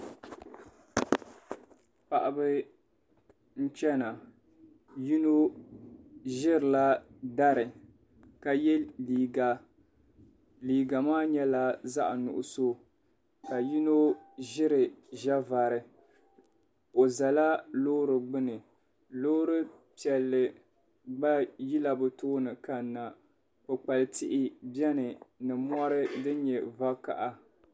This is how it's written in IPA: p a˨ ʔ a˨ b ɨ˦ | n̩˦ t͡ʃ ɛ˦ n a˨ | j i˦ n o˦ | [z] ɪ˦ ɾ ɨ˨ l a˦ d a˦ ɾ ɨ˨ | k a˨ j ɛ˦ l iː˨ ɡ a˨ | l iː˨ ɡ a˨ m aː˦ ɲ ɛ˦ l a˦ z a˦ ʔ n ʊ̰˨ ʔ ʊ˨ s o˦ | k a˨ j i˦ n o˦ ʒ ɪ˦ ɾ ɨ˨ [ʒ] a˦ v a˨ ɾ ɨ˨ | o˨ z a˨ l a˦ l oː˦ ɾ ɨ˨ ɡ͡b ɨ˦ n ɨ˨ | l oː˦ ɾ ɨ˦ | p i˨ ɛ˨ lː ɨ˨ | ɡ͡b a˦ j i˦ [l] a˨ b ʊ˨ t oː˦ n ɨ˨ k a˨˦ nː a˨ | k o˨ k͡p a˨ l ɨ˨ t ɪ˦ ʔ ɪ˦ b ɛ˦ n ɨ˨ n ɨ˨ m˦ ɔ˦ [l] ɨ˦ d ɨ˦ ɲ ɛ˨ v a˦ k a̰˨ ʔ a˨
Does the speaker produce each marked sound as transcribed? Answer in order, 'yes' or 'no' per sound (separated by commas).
no, yes, yes, no